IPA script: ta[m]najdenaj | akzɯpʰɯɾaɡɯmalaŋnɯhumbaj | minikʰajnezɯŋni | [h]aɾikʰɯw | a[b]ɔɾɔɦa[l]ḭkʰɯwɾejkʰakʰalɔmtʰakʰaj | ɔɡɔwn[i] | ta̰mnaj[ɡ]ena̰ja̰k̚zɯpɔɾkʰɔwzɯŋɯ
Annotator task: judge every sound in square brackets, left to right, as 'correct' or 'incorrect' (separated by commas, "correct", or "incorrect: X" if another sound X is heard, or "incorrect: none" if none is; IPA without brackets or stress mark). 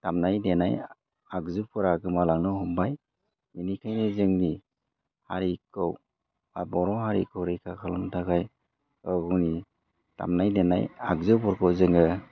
correct, correct, correct, incorrect: ɾ, correct, incorrect: d